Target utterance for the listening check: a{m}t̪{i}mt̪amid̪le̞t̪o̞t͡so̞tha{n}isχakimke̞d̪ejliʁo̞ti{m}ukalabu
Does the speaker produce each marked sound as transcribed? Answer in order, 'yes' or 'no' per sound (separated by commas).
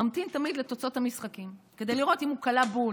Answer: yes, yes, no, yes